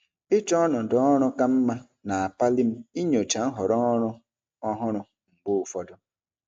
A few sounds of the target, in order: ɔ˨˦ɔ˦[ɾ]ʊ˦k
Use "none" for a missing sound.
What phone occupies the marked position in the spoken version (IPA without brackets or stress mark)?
ɾ